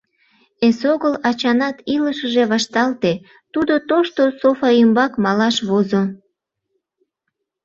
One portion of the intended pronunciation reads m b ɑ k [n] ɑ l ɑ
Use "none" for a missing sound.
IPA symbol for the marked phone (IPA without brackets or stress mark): m